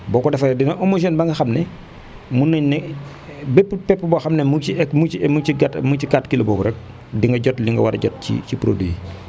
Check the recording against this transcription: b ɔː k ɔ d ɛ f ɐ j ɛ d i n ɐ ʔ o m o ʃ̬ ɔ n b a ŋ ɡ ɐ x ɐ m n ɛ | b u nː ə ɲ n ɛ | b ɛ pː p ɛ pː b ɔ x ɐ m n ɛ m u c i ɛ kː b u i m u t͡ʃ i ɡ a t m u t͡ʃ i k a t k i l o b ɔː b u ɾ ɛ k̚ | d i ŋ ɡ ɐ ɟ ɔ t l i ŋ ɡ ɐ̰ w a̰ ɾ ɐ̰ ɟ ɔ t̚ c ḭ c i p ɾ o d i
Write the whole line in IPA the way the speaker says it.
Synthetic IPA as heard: b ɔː k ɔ d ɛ f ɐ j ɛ d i n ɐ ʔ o m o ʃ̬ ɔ n b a ŋ ɡ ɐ x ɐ m n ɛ | m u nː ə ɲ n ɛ | b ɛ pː p ɛ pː b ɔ x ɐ m n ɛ m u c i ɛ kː m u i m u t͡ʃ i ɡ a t m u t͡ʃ i k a t k i l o b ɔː b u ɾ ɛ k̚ | d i ŋ ɡ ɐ ɟ ɔ t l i ŋ ɡ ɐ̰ w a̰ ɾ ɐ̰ ɟ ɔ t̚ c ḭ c i p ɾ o d i